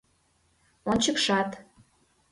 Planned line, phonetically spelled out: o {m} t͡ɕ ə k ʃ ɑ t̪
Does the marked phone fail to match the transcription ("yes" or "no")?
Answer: yes